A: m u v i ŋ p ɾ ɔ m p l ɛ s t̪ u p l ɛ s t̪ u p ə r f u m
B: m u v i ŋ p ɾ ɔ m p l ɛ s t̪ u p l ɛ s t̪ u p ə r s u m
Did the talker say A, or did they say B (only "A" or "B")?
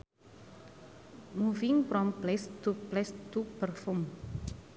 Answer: A